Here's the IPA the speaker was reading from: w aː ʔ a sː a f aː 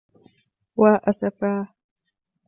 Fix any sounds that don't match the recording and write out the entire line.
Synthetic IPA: w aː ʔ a s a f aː